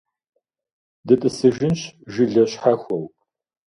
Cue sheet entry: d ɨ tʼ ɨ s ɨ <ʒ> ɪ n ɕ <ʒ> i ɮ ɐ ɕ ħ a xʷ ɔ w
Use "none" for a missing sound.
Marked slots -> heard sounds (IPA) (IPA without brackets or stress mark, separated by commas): ʒ, ʒ